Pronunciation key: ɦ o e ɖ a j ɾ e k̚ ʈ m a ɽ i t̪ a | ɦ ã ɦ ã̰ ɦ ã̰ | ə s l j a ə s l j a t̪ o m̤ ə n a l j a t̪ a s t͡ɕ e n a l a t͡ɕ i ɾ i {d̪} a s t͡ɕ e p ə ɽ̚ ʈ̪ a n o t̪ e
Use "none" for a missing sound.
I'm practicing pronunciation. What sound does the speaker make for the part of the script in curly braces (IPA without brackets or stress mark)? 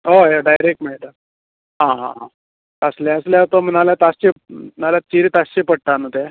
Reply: t̪